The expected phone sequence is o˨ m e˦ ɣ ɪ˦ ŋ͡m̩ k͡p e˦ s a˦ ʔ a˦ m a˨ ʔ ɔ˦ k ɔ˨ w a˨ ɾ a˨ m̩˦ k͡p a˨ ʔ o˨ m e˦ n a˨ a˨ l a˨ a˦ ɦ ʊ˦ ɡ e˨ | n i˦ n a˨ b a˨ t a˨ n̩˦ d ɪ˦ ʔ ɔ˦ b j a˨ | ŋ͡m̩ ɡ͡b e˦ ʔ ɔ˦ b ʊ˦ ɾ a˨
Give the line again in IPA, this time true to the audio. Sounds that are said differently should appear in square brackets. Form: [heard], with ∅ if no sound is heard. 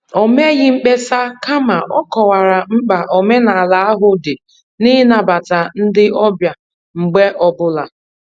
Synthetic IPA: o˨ m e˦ ɣ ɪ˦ ŋ͡m̩ k͡p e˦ s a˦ [k] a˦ m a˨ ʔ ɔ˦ k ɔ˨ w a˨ ɾ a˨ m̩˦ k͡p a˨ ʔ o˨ m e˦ n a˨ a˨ l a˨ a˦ ɦ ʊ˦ [d] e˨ | n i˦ n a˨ b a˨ t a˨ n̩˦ d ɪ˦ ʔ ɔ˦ b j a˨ | ŋ͡m̩ ɡ͡b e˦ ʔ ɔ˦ b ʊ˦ [l] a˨